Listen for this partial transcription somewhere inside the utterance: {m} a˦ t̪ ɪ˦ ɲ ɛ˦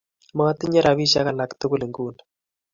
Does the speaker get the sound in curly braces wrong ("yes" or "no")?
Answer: no